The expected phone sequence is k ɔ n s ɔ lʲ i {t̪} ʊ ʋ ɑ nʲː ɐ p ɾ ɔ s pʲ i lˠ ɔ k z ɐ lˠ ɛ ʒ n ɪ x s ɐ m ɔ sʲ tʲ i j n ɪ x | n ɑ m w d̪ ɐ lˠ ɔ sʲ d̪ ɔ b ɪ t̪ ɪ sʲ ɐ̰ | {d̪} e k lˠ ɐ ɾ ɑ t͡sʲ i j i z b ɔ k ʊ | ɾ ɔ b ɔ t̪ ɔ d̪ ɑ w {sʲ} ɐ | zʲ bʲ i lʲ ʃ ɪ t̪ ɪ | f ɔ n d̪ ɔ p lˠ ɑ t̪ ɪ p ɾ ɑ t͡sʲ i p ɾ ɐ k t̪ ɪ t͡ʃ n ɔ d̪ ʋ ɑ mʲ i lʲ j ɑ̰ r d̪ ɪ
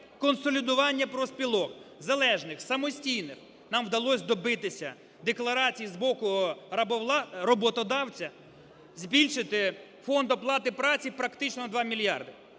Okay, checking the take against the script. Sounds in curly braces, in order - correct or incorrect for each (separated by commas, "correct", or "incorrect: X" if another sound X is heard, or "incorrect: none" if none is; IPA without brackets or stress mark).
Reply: incorrect: d̪, correct, incorrect: t͡sʲ